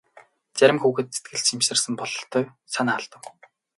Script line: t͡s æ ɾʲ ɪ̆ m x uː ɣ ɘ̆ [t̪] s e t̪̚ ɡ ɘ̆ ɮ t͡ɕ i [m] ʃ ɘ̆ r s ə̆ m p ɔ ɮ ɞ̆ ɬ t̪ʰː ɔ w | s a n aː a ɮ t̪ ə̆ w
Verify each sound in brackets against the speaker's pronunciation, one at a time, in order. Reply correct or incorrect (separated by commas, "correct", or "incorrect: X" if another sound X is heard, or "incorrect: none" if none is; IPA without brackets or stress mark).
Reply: correct, correct